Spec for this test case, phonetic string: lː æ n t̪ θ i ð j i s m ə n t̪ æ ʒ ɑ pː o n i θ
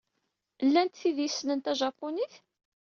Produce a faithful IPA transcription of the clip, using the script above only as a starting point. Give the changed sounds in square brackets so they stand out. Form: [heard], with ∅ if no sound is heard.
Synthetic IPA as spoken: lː æ n t̪ θ i ð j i s [n] ə n t̪ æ ʒ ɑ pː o n i θ